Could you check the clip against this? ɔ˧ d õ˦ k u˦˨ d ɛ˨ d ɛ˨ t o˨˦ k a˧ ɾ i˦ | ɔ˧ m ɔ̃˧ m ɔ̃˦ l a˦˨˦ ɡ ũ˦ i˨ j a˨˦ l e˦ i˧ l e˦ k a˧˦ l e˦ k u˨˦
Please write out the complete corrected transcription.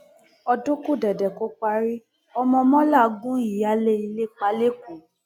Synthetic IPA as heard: ɔ˧ d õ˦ k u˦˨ d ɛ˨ d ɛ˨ k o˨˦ k͡p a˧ ɾ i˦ | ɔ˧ m ɔ̃˧ m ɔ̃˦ l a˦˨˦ ɡ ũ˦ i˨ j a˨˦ l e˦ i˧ l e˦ k͡p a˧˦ l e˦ k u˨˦